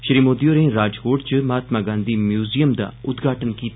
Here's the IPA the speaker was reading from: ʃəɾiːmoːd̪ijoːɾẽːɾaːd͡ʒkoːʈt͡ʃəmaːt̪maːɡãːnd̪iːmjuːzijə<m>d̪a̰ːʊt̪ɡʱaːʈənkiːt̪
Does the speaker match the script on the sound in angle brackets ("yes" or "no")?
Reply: yes